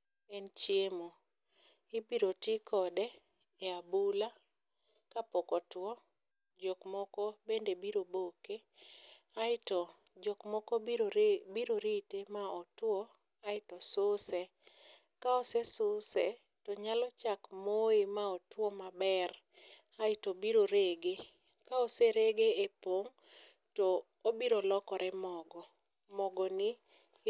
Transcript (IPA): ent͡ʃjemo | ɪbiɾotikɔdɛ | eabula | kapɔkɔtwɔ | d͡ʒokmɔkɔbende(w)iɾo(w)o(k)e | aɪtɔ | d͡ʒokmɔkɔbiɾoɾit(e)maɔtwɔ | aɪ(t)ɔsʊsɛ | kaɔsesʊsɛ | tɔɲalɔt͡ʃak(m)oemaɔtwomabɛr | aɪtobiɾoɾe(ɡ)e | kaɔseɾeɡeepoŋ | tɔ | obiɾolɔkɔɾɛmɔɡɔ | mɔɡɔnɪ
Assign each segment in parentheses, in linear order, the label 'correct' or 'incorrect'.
incorrect: b, incorrect: b, correct, correct, correct, correct, correct

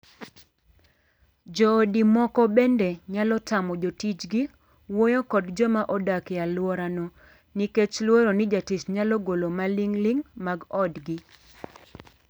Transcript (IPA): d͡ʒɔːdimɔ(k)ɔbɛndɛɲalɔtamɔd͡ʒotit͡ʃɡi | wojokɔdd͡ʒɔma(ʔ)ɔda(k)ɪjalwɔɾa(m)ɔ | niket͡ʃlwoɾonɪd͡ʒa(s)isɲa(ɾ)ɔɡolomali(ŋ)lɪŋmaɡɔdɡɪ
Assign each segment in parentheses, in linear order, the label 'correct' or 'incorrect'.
correct, correct, correct, incorrect: n, incorrect: t, incorrect: l, correct

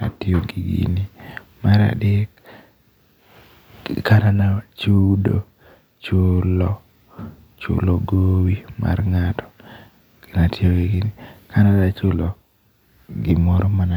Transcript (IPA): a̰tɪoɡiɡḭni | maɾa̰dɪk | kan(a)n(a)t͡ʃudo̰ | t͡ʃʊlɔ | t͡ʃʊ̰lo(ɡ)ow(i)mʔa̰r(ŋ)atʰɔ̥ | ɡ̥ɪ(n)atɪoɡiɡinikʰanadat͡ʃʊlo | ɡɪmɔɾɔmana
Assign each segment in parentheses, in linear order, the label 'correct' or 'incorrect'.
correct, correct, correct, correct, correct, correct

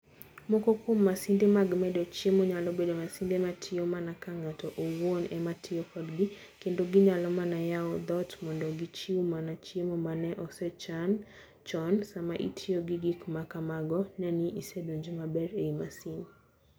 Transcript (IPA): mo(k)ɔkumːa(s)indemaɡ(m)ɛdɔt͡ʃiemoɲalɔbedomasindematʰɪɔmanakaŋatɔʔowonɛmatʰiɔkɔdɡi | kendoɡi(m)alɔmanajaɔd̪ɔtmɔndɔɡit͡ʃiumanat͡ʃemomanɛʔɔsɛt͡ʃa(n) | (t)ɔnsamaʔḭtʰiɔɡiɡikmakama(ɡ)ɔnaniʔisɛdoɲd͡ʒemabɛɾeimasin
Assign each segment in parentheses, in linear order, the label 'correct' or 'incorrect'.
correct, correct, correct, incorrect: ɲ, correct, incorrect: t͡ʃ, correct

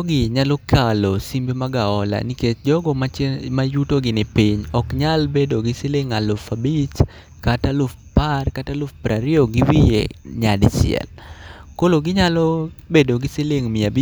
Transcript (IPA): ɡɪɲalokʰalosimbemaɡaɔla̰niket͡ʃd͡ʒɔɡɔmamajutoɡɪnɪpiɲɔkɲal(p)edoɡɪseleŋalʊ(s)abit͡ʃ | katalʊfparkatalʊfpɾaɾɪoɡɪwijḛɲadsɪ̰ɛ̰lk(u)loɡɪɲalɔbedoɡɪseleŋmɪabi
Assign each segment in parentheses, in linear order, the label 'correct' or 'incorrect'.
incorrect: b, incorrect: f, incorrect: o

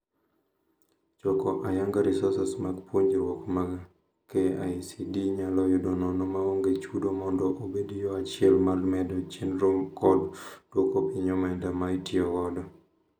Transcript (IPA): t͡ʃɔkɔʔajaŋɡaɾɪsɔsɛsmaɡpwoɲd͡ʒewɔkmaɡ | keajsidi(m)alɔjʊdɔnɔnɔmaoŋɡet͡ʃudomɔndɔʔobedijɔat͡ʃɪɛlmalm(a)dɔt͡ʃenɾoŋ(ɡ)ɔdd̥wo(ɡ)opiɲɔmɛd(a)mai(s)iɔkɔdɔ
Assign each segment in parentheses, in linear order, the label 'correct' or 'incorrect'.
incorrect: ɲ, incorrect: ɛ, incorrect: k, incorrect: k, correct, incorrect: t

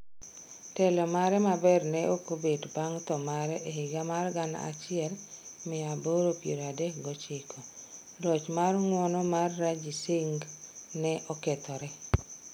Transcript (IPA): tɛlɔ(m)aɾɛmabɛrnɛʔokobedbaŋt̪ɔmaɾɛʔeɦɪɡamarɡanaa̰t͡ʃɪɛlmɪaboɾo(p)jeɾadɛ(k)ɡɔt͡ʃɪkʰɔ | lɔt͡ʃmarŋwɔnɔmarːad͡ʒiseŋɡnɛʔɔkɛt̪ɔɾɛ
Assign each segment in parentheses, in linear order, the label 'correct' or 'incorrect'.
correct, correct, correct

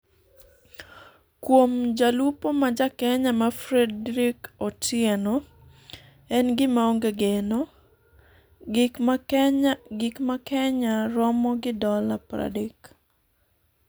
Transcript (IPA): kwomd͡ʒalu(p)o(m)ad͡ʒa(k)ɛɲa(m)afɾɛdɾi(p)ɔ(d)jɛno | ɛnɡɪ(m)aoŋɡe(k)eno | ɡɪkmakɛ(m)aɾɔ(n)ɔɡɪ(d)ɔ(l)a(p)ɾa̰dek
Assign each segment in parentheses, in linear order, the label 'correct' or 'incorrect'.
correct, correct, correct, correct, incorrect: k, incorrect: t, correct, incorrect: ɡ, incorrect: ɲ, incorrect: m, correct, correct, correct

